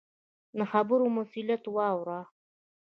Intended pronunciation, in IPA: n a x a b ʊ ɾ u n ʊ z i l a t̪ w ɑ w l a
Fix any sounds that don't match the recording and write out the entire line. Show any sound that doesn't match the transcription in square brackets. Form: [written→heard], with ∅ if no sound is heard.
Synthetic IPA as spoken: n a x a b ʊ ɾ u [n→m] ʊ [z→s] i l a t̪ w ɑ w [l→ɾ] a

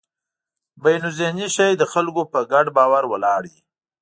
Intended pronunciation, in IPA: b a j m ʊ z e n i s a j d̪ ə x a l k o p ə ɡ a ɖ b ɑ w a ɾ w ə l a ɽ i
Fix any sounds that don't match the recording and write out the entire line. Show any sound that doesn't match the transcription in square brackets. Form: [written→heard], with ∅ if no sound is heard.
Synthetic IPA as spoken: b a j [m→n] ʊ z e n i [s→ʃ] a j d̪ ə x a l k o p ə ɡ a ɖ b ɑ w a ɾ w ə l [a→ɑ] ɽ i

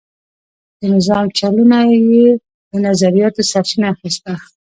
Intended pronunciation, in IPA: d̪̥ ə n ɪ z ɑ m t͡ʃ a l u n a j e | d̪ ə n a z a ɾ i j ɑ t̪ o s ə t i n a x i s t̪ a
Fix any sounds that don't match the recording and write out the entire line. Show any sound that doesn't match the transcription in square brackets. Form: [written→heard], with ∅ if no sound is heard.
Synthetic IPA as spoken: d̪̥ ə n ɪ z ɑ m t͡ʃ a l u n a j e | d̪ ə n a z a ɾ i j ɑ t̪ o s [ə→a] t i n a x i s t̪ a

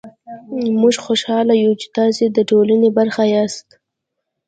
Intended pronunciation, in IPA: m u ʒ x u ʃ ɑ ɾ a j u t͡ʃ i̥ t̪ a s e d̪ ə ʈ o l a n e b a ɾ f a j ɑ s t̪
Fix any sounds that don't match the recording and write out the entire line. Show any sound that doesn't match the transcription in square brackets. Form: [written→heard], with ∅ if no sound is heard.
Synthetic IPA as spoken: m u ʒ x [u→o] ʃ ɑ [ɾ→l] a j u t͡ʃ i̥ t̪ [a→ɑ] s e d̪ ə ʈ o l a n e b a ɾ [f→x] a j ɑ s t̪

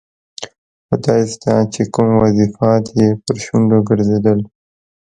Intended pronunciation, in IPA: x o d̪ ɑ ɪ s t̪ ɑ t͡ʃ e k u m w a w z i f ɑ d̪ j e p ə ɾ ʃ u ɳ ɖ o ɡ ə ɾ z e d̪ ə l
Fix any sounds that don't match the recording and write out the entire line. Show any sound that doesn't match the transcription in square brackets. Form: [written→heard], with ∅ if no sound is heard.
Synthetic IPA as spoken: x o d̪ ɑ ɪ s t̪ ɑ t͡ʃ e k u m w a [w→∅] z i f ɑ [d̪→t̪] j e p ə ɾ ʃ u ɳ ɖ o ɡ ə ɾ z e d̪ ə l

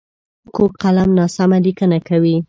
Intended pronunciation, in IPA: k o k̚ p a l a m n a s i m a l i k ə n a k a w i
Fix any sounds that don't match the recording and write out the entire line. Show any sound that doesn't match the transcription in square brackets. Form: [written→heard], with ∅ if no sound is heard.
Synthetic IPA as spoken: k o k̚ [p→q] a l a m n [a→ɑ] s [i→a] m a l i k ə n a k a w i

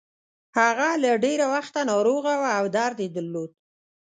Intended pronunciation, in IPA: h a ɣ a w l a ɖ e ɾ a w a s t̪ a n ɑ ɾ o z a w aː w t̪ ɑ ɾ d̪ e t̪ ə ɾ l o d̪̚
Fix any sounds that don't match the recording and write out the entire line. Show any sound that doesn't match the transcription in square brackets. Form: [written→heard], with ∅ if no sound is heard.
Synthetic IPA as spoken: h a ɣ a [w→∅] l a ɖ e ɾ a w a [s→x] t̪ a n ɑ ɾ o [z→ɣ] a w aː w [t̪→d̪] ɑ ɾ d̪ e [t̪→d̪] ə ɾ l o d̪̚

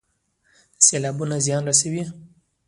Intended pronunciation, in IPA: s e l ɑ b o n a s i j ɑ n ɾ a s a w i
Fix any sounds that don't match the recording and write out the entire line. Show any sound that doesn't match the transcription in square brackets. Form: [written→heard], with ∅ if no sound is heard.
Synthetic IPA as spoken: s e l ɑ b [o→u] n a [s→z] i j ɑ n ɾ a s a w i

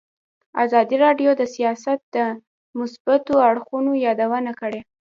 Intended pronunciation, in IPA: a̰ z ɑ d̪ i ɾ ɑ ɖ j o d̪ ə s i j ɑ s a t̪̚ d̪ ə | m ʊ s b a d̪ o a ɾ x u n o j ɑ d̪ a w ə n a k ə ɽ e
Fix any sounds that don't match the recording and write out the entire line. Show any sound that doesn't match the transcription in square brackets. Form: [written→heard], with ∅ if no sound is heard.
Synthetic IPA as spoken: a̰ z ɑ d̪ i ɾ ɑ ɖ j o d̪ ə s i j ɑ s a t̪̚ d̪ ə | m ʊ s b a [d̪→t̪] o a [ɾ→ɽ] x u n o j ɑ d̪ a w ə n a k ə ɽ e

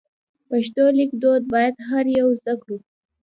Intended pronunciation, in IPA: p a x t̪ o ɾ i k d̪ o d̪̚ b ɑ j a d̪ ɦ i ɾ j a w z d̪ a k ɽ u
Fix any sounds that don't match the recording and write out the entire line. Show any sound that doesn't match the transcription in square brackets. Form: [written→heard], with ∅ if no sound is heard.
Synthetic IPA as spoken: p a [x→ʃ] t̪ o [ɾ→l] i k d̪ o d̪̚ b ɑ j a d̪ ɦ [i→a] ɾ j a w z d̪ a k ɽ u

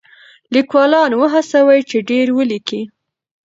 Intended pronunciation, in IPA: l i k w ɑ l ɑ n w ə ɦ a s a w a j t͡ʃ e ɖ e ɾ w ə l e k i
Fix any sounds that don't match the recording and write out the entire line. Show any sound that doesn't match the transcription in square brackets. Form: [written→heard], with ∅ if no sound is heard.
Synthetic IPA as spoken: l i k w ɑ l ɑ n w ə ɦ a s a w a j t͡ʃ e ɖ e ɾ w ə l [e→i] k i

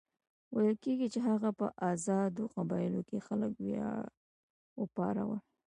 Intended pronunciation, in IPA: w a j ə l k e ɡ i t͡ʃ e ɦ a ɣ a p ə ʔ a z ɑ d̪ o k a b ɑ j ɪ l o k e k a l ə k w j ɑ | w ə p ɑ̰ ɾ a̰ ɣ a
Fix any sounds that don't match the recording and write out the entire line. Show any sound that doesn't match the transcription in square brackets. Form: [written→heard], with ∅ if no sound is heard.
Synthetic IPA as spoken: w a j ə l k e ɡ i t͡ʃ e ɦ a ɣ a p ə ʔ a z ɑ d̪ o [k→q] a b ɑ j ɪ l o k e [k→x] a l ə k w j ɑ | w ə p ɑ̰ ɾ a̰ [ɣ→w] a

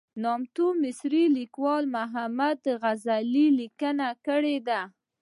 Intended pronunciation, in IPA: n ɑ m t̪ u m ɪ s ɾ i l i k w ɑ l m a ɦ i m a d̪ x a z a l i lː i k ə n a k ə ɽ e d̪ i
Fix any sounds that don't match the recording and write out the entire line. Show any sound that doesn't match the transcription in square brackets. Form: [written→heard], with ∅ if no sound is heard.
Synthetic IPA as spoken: n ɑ m t̪ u m ɪ s ɾ i l i k w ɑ l m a ɦ [i→a] m a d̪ [x→ɣ] a z a l i [lː→l] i k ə n a k ə ɽ e d̪ [i→a]

